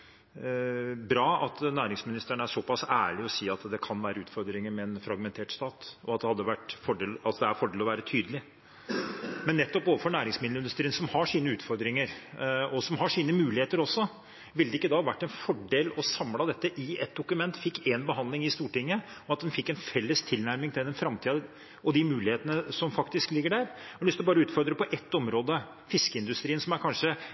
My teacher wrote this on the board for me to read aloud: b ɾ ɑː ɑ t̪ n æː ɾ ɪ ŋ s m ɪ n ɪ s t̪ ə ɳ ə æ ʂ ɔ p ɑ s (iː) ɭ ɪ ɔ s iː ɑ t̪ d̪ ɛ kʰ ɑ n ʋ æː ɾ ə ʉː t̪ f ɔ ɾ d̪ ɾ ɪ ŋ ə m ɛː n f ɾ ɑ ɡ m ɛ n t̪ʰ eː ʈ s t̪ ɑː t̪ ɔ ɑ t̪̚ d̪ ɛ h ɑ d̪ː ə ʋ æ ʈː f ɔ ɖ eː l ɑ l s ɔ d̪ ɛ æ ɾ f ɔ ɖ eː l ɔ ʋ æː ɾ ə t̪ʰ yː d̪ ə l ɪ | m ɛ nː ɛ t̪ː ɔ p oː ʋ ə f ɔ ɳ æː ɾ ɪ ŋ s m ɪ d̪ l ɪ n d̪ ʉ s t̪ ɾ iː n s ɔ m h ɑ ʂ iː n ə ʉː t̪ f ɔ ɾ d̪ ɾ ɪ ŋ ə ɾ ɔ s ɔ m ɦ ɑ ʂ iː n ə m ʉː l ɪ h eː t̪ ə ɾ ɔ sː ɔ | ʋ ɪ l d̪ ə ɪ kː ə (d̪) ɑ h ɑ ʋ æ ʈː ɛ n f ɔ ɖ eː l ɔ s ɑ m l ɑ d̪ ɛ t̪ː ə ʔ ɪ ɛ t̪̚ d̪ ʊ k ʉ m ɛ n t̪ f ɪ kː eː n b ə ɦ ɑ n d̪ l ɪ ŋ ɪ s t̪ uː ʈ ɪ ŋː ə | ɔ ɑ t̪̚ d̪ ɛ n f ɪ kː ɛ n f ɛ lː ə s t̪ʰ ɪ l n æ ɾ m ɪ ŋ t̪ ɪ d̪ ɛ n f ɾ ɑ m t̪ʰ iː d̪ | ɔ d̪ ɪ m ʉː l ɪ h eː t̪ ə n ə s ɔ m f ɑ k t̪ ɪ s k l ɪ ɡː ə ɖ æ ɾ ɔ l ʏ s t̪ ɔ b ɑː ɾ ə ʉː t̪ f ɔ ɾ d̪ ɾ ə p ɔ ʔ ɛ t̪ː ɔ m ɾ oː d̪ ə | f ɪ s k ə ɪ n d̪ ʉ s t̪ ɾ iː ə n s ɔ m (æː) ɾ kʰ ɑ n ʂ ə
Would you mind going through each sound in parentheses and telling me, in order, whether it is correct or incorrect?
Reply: incorrect: æː, correct, incorrect: æ

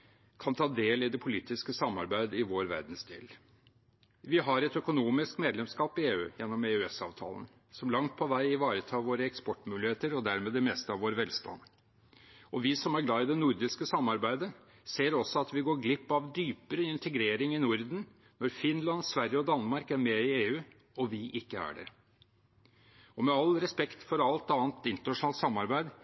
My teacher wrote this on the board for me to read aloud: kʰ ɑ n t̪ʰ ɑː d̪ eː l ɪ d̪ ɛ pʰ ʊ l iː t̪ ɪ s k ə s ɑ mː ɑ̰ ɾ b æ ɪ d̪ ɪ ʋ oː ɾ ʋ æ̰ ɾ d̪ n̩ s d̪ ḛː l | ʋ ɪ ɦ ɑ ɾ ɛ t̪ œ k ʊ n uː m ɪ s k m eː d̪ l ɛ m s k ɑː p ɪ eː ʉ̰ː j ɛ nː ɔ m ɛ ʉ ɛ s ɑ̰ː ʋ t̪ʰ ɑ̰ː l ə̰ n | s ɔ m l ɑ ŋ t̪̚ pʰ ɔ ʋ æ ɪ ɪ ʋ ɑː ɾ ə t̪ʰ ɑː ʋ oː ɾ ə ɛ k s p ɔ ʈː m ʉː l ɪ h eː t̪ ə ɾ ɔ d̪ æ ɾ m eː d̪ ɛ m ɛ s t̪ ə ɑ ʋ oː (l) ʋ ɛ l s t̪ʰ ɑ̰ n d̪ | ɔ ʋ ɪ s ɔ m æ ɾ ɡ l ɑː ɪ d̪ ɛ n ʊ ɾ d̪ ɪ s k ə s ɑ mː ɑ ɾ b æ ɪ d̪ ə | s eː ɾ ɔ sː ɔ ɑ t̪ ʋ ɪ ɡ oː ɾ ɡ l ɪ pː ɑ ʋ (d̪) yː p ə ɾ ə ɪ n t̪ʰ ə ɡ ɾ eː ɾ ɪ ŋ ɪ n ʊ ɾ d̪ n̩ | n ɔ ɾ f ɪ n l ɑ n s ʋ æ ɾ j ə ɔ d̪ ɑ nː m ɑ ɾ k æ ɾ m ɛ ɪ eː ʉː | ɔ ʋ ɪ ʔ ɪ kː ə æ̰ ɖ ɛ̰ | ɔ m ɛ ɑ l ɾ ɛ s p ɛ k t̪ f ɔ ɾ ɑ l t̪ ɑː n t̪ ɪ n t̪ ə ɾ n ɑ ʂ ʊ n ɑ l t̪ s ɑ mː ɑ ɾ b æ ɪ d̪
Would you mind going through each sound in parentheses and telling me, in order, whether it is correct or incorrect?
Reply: incorrect: ɾ, correct

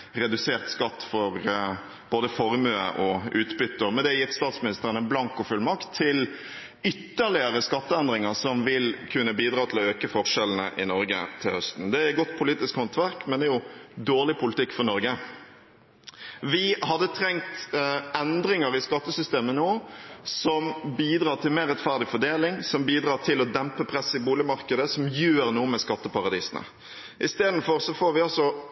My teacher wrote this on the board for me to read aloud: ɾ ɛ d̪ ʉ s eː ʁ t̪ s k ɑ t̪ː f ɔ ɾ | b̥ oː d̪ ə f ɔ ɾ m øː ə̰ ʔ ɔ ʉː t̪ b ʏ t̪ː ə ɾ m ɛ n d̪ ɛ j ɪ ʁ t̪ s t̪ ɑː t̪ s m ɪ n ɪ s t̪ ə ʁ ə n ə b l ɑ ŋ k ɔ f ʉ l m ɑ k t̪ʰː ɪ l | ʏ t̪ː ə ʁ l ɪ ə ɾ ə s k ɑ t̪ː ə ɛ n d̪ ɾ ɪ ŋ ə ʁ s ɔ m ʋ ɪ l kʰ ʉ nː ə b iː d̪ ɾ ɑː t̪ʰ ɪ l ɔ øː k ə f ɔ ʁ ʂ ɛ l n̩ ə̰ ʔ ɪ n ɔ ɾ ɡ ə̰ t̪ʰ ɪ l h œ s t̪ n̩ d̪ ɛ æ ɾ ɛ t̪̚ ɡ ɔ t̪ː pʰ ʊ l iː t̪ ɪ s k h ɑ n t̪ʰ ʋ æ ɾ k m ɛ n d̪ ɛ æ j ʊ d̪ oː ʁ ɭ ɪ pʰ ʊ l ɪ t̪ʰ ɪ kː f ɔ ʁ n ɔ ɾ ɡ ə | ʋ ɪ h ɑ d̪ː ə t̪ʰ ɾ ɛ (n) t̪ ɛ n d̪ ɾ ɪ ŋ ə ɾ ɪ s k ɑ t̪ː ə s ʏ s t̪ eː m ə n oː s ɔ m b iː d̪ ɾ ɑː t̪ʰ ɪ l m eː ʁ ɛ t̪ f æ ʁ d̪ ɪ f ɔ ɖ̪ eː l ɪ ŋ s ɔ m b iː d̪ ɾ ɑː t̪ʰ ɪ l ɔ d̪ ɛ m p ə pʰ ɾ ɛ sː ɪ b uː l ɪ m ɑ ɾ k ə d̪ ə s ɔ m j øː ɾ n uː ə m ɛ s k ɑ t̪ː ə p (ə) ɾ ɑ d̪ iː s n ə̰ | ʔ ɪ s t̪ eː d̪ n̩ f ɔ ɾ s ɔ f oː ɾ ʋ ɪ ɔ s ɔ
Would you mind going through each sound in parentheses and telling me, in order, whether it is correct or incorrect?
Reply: incorrect: ŋ, incorrect: ɑ

